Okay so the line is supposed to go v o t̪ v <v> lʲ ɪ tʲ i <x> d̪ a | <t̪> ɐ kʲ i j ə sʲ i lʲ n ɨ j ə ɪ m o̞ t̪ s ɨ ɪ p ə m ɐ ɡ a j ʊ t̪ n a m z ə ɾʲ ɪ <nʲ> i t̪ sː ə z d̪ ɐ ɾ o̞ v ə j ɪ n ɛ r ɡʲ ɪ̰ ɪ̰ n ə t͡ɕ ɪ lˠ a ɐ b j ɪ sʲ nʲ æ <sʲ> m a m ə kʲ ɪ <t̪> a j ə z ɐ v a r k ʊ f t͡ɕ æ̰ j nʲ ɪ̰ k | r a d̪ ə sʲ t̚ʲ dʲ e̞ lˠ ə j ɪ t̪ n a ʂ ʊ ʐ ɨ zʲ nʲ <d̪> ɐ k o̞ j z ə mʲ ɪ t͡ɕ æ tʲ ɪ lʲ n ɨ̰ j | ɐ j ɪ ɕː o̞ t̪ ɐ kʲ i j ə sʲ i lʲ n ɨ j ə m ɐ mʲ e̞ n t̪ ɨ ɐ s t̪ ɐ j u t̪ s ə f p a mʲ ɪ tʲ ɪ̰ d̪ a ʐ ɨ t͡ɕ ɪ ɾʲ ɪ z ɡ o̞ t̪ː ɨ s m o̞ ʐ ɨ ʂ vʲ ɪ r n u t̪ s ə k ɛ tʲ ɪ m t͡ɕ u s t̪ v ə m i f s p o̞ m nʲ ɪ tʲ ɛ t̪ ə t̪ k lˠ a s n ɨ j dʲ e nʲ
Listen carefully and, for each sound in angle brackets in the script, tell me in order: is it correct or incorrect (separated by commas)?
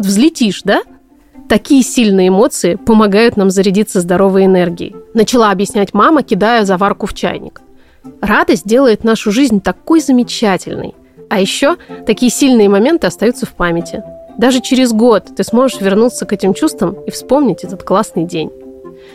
incorrect, incorrect, correct, incorrect, incorrect, incorrect, incorrect